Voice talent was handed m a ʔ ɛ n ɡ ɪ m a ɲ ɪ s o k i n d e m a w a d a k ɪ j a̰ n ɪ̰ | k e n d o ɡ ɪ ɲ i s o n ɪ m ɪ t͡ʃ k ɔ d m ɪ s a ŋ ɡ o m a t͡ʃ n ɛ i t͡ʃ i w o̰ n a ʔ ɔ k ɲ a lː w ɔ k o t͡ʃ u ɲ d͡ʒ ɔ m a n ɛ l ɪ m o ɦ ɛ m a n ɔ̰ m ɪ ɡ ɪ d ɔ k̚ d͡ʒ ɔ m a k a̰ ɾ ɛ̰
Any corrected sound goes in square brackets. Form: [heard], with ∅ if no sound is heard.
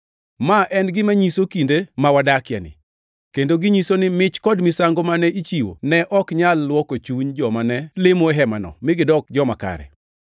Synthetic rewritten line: m a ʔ ɛ n ɡ ɪ m a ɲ [i] s o k i n d e m a w a d a k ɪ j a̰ n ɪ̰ | k e n d o ɡ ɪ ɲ i s o n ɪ m ɪ t͡ʃ k ɔ d m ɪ s a ŋ ɡ o m a [∅] n ɛ i t͡ʃ i w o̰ n [ɛ] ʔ ɔ k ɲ a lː w ɔ k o t͡ʃ u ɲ d͡ʒ ɔ m a n ɛ l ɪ m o ɦ ɛ m a n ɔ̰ m ɪ ɡ ɪ d ɔ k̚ d͡ʒ ɔ m a k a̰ ɾ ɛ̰